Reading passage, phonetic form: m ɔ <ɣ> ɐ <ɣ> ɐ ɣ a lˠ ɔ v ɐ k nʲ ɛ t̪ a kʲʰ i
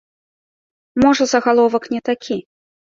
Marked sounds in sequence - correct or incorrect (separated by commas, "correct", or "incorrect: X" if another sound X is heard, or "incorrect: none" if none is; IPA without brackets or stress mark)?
incorrect: ʐ, incorrect: z